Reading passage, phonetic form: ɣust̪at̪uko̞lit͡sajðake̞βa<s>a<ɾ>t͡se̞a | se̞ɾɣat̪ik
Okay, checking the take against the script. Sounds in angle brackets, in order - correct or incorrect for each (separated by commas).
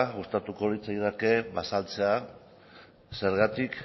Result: correct, incorrect